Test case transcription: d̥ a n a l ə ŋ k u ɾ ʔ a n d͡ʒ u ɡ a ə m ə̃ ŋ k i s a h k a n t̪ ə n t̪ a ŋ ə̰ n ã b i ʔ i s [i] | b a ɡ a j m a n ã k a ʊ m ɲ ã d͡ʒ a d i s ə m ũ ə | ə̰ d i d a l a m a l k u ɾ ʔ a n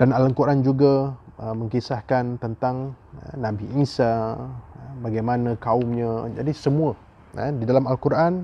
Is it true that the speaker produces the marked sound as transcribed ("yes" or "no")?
no